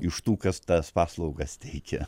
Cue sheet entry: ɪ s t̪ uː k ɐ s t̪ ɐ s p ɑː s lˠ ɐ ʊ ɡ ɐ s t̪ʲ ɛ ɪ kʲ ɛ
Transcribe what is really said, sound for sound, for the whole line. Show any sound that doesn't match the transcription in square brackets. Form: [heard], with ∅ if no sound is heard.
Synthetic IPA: ɪ [ʃ] t̪ uː k ɐ s t̪ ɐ s p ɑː s lˠ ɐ ʊ ɡ ɐ s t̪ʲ ɛ ɪ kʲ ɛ